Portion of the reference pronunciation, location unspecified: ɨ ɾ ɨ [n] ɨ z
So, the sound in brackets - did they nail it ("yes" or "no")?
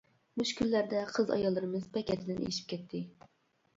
no